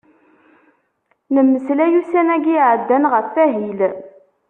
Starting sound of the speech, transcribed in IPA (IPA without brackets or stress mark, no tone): n